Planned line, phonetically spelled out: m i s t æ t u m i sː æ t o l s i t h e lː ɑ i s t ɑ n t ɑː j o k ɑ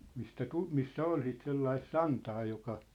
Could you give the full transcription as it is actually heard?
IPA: m i s t æ t u m i sː æ o l s i t s e lː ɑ i s s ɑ n t ɑː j o k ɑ

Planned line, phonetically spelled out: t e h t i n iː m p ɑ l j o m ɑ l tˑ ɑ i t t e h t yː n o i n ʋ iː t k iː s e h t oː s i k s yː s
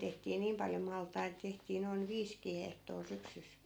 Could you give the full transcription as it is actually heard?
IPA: t e h t iː n iː m p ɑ l j o m ɑ l tˑ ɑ i t t e h t iː n o i n ʋ iː s k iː h e h t oː s y k s y s

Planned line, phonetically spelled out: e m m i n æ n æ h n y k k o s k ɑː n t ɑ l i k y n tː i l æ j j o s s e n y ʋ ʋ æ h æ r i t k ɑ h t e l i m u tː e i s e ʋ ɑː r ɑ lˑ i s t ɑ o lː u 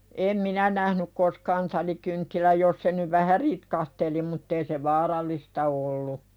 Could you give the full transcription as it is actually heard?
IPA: e m m i n æ n æ h n y k k o s k ɑː n t ɑ l i k y n tː i l æ j j o s s e n y ʋ ʋ æ h æ r i t k ɑ h t e l i m u tː e i s e ʋ ɑː r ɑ lˑ i s t ɑ o lː u

